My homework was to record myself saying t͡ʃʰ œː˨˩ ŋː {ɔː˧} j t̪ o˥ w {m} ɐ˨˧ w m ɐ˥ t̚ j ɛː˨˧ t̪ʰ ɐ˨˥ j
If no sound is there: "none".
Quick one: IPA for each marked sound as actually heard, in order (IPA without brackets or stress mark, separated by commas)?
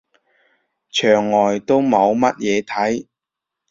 ɔː˨˩, m